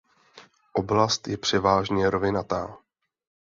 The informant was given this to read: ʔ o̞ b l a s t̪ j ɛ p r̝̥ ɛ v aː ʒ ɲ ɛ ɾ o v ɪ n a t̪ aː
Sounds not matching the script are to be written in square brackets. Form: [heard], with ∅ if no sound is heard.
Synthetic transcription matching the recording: ʔ o̞ b l a s t̪ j ɛ p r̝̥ ɛ v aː ʒ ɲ ɛ ɾ o v ɪ n a t̪ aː